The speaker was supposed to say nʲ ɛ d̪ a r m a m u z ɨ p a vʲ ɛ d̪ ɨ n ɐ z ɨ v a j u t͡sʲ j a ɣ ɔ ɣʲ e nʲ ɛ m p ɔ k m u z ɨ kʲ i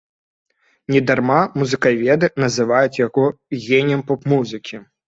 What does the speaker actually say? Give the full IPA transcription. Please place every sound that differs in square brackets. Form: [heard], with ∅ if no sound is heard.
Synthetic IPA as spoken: nʲ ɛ d̪ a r m a m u z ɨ [k] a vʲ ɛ d̪ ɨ n ɐ z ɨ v a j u t͡sʲ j a ɣ ɔ ɣʲ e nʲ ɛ m p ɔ [p] m u z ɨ kʲ i